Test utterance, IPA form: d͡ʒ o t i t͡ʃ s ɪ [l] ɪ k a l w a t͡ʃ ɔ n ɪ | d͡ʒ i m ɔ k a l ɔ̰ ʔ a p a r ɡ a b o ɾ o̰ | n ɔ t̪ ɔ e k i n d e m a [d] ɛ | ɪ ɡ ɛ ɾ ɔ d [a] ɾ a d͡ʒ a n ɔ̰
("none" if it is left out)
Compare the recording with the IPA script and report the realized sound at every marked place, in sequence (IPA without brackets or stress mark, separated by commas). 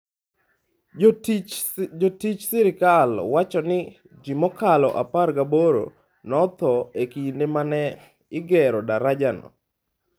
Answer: ɾ, n, a